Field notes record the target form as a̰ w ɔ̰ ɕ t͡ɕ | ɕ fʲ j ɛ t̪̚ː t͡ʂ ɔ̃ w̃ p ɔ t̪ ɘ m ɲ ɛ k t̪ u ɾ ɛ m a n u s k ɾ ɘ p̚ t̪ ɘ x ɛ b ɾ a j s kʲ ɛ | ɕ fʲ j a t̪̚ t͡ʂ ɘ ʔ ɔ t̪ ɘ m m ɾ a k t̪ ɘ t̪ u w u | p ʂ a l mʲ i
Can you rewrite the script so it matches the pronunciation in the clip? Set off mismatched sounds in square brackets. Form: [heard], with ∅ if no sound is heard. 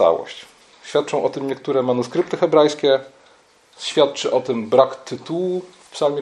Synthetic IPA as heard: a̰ w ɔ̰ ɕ t͡ɕ | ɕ fʲ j [a] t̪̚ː t͡ʂ ɔ̃ w̃ [ʔ] ɔ t̪ ɘ m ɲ ɛ k t̪ u ɾ ɛ m a n u s k ɾ ɘ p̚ t̪ ɘ x ɛ b ɾ a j s kʲ ɛ | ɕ fʲ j a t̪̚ t͡ʂ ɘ ʔ ɔ t̪ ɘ m [b] ɾ a k t̪ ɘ t̪ u w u | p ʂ a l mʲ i